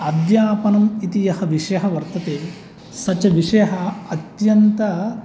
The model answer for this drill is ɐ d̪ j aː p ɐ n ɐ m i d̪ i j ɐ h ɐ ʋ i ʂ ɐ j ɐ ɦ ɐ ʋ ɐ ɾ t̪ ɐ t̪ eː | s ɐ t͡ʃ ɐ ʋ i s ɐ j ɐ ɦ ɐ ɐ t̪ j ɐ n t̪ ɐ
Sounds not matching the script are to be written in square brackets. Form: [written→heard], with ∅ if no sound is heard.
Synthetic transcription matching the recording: ɐ d̪ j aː p ɐ n ɐ m i [d̪→t̪] i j ɐ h ɐ ʋ i ʂ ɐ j ɐ ɦ ɐ ʋ ɐ ɾ t̪ ɐ t̪ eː | s ɐ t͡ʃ ɐ ʋ i [s→ʂ] ɐ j ɐ ɦ ɐ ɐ t̪ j ɐ n t̪ ɐ